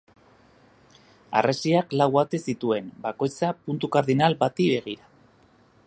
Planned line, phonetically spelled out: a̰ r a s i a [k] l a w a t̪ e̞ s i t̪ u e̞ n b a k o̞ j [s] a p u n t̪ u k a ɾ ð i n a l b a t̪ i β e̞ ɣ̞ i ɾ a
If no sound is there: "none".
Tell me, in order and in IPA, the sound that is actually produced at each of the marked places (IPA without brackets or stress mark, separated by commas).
k, t͡s